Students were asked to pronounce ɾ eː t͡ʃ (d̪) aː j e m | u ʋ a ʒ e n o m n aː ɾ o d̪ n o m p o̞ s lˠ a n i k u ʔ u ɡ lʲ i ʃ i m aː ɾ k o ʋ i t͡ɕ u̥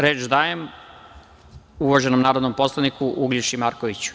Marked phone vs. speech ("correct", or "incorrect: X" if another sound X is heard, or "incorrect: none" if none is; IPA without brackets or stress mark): correct